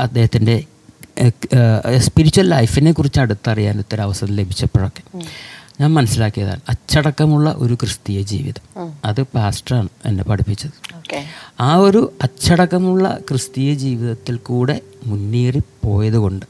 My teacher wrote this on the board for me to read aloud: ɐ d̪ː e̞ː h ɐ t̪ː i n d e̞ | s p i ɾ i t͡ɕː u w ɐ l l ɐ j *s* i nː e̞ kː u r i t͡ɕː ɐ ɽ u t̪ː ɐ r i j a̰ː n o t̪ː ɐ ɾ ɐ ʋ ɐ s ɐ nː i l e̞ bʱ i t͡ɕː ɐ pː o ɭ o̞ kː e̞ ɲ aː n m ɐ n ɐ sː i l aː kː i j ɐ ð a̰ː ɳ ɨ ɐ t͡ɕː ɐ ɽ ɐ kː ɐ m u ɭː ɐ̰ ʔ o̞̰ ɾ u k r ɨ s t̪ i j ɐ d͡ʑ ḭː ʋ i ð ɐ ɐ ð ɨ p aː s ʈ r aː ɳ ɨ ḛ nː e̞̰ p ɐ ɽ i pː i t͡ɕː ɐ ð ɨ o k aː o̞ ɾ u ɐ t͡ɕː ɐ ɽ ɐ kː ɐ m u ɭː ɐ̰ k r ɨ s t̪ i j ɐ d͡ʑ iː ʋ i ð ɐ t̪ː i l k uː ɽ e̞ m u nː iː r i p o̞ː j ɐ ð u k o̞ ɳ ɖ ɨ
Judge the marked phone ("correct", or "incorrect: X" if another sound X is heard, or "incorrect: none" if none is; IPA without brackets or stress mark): incorrect: f